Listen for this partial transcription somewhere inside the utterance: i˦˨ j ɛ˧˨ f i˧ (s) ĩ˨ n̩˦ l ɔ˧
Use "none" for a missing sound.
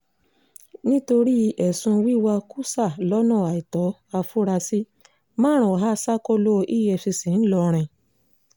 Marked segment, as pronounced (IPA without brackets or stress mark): s